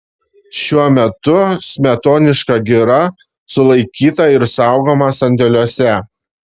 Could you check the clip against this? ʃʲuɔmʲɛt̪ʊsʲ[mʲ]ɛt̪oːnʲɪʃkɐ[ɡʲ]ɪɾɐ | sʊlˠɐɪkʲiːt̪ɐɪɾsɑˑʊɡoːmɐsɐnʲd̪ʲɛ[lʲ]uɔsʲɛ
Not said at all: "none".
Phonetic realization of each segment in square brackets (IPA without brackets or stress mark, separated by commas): mʲ, ɡʲ, lʲ